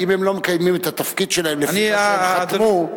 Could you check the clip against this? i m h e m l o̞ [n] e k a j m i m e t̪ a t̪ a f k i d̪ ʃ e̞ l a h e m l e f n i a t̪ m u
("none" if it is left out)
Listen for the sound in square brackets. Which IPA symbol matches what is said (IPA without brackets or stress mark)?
m